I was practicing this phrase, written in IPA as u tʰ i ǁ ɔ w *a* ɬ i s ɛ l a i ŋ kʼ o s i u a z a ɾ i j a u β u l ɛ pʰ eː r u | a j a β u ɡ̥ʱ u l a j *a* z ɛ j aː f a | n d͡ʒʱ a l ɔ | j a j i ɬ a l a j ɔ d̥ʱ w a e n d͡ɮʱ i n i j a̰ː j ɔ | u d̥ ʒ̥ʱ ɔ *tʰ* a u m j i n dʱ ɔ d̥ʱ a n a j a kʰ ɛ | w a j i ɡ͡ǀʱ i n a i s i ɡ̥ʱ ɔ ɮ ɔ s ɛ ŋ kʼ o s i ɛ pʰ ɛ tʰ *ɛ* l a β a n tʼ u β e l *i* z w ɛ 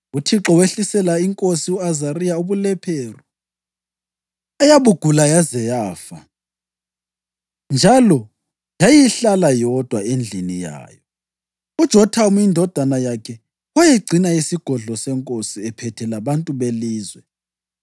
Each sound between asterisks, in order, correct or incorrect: incorrect: e, correct, correct, correct, incorrect: iː

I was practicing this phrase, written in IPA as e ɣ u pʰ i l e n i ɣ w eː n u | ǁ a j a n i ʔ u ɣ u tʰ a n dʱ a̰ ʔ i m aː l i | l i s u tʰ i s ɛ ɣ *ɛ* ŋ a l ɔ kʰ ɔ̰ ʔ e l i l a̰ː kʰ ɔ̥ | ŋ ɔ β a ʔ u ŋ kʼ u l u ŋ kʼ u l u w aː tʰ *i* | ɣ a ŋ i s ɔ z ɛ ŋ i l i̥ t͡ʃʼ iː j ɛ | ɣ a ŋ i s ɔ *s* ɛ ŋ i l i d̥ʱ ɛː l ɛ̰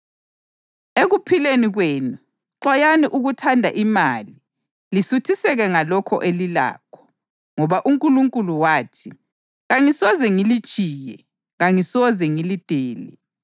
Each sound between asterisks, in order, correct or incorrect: correct, correct, incorrect: z

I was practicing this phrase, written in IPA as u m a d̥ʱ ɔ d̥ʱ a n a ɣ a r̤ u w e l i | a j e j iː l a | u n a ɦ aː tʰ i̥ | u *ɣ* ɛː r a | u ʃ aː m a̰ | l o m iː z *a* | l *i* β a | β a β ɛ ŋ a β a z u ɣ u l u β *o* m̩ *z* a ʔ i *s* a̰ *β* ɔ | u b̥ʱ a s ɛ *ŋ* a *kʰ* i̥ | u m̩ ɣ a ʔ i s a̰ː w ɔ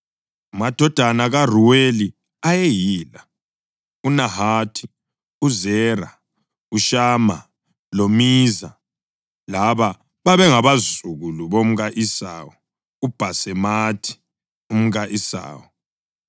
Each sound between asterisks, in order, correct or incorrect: incorrect: z, correct, incorrect: a, correct, incorrect: ɣ, correct, incorrect: w, incorrect: m, incorrect: tʰ

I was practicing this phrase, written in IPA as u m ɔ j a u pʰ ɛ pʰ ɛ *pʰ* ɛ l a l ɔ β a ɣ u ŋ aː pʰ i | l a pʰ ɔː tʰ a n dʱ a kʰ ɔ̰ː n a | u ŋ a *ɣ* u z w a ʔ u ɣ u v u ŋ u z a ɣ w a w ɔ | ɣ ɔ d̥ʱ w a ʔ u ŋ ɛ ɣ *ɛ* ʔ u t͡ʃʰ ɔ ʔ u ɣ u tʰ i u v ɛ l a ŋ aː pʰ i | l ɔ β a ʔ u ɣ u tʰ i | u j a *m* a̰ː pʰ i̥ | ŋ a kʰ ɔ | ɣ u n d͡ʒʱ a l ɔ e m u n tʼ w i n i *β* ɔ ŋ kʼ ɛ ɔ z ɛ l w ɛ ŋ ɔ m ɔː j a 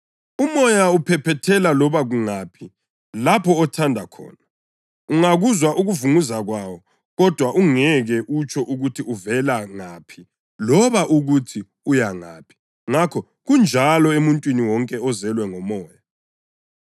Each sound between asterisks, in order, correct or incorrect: incorrect: tʰ, correct, correct, incorrect: ŋ, incorrect: w

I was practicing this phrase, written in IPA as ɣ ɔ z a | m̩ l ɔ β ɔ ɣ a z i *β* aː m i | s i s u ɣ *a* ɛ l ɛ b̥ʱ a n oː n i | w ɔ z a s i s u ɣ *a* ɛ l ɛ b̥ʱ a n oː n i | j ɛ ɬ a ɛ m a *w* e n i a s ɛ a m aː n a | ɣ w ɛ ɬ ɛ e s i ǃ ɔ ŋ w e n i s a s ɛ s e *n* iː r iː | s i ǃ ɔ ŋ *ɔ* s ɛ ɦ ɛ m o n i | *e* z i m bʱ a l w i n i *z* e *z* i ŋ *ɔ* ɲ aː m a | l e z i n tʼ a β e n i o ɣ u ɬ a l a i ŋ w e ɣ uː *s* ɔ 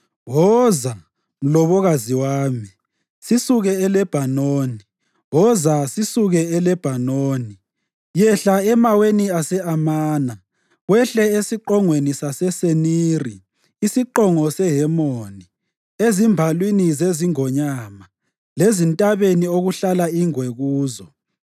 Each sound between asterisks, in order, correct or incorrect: incorrect: w, incorrect: ɛ, incorrect: ɛ, correct, correct, correct, correct, correct, correct, correct, incorrect: z

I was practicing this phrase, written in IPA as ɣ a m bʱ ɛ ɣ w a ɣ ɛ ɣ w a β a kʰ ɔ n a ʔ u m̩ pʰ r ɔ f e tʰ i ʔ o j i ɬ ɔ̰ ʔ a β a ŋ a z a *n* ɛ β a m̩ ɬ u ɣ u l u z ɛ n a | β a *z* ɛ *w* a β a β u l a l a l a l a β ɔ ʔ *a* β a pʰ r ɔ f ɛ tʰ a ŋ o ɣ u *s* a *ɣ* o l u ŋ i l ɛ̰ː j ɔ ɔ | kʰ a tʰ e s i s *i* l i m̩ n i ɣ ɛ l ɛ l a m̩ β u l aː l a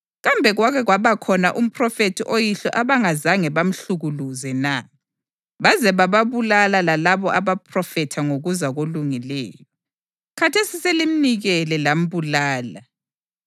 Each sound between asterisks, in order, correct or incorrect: incorrect: ŋ, correct, incorrect: β, correct, incorrect: z, correct, incorrect: e

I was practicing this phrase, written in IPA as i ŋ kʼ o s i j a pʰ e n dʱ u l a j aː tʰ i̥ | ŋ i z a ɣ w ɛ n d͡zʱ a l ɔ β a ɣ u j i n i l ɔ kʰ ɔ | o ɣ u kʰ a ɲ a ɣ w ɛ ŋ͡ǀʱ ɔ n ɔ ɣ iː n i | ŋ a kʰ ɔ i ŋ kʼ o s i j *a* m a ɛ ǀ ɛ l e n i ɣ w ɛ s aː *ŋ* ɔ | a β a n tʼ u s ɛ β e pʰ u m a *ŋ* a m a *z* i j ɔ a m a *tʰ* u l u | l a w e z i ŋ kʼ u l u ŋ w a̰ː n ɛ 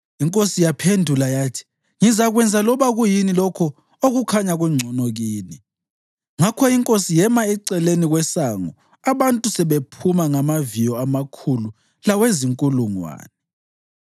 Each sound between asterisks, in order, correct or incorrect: incorrect: ɛ, correct, correct, incorrect: v, incorrect: kʰ

